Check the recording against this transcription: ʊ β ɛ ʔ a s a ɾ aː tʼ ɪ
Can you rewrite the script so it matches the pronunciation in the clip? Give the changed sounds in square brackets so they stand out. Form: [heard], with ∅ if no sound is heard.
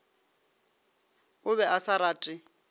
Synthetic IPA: ʊ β ɛ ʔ a s a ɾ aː tʼ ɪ